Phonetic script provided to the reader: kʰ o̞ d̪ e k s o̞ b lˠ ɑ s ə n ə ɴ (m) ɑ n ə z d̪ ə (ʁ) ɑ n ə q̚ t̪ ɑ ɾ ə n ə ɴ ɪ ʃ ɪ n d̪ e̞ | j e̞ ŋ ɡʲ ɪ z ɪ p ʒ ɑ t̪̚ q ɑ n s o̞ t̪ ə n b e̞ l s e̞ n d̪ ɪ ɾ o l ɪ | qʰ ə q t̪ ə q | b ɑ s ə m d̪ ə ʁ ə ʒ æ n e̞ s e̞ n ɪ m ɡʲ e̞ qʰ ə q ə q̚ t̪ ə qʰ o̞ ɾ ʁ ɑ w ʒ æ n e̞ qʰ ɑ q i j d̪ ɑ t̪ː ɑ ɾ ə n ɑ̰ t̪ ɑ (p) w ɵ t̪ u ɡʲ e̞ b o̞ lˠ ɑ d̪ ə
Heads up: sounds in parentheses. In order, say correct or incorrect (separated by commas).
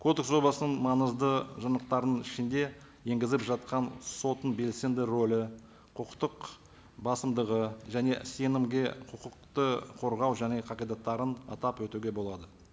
correct, incorrect, correct